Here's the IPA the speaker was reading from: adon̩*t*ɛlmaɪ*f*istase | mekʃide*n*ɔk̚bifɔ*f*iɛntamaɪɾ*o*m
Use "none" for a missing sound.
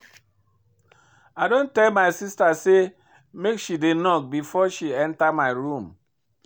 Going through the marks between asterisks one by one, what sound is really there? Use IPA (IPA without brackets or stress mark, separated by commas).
t, s, n, ʃ, u